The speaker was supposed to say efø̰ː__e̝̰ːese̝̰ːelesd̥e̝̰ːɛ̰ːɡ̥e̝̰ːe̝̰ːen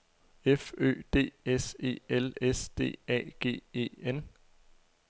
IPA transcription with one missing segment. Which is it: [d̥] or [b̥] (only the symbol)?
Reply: d̥